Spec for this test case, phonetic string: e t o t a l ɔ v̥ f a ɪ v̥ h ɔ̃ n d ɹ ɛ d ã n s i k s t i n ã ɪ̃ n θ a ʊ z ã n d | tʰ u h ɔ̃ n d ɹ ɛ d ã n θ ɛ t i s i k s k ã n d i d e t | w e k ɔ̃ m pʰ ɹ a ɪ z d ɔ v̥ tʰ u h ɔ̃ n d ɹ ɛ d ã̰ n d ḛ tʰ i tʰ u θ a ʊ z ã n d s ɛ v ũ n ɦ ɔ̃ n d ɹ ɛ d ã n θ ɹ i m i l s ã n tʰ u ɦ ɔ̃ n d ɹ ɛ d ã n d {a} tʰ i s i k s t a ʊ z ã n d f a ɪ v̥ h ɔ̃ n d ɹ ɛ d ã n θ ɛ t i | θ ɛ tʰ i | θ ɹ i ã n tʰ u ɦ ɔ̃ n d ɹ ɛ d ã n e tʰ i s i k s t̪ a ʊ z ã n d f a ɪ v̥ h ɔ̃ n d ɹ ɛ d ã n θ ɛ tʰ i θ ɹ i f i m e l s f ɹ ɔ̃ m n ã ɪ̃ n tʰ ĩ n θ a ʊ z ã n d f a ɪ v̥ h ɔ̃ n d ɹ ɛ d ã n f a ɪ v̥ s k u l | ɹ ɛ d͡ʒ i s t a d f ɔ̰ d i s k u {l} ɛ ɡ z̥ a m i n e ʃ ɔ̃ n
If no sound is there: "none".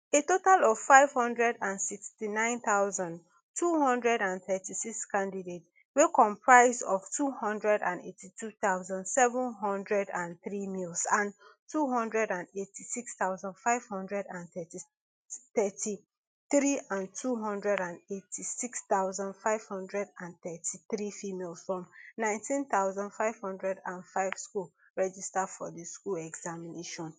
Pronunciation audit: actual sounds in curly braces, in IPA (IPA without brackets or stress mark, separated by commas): e, l